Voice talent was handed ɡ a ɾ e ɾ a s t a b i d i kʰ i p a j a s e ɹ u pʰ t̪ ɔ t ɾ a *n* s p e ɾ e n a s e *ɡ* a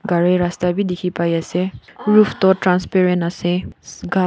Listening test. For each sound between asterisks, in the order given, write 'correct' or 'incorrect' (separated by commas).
correct, correct